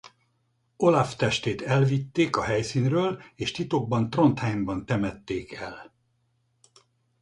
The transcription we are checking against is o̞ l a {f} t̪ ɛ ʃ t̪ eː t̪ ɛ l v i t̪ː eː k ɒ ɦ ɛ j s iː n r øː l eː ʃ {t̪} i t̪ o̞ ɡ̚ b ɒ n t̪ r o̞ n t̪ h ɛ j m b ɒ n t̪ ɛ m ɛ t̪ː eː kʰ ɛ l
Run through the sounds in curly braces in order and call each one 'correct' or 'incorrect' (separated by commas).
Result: correct, correct